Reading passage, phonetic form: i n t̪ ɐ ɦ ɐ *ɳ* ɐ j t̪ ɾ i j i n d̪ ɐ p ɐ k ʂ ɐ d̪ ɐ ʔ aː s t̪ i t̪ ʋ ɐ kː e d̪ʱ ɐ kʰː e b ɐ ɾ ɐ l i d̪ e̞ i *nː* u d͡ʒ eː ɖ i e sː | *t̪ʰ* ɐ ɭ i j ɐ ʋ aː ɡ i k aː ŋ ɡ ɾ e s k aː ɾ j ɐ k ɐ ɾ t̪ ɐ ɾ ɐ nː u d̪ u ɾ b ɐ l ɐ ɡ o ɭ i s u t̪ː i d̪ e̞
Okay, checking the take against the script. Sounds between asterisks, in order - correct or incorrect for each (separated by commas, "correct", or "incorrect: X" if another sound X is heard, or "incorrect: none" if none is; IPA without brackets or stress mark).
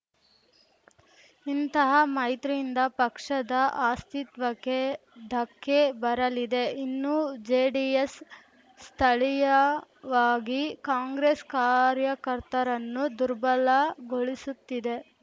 incorrect: m, correct, correct